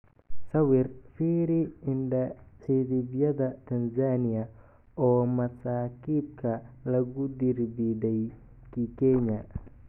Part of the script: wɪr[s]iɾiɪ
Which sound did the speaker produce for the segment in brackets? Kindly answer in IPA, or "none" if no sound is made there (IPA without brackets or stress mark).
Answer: f